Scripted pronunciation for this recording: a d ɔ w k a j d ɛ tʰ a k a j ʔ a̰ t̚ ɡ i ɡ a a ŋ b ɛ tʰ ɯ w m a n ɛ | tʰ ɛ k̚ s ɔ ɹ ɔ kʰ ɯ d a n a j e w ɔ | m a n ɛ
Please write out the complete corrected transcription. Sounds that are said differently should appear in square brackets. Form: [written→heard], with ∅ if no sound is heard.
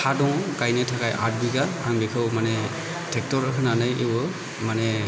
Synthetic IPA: a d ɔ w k a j [d→n] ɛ tʰ a k a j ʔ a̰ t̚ [ɡ→b] i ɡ a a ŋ b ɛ [tʰ→kʰ] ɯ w m a n ɛ | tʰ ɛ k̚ [s→t] ɔ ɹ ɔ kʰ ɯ [d→n] a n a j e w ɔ | m a n ɛ